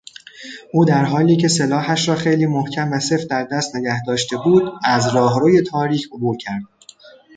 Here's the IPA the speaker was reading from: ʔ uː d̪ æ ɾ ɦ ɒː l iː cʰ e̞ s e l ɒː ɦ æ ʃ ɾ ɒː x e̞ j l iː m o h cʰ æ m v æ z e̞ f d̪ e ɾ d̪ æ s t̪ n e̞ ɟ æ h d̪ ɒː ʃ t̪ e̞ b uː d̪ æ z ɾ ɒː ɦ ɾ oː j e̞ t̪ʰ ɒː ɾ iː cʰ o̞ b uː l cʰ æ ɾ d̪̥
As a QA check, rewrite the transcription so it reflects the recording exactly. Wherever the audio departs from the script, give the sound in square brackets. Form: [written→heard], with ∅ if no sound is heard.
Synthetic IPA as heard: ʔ uː d̪ æ ɾ ɦ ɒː l iː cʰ e̞ s e l ɒː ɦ æ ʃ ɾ ɒː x e̞ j l iː m o h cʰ æ m v æ [z→s] e̞ f d̪ [e→æ] ɾ d̪ æ s t̪ n e̞ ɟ æ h d̪ ɒː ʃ t̪ e̞ b uː d̪ æ z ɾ ɒː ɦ ɾ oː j e̞ t̪ʰ ɒː ɾ iː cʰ o̞ b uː [l→ɾ] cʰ æ ɾ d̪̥